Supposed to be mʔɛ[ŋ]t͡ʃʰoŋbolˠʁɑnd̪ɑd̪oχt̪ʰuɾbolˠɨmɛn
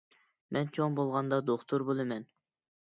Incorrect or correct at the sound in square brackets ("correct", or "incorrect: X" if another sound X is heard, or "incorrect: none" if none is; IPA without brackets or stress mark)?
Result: incorrect: n